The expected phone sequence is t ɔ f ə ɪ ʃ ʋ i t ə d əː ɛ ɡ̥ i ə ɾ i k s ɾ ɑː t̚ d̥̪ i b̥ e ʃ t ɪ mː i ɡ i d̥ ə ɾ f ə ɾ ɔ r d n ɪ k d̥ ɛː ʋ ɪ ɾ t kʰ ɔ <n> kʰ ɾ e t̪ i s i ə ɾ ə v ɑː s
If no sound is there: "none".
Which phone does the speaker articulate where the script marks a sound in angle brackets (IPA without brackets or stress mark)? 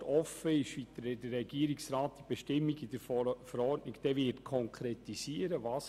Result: ŋ